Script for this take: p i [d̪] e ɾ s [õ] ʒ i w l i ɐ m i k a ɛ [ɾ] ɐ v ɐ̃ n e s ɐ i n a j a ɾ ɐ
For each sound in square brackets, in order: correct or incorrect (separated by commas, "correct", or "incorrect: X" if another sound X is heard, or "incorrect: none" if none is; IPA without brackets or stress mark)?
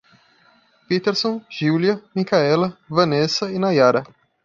incorrect: t̪, correct, incorrect: l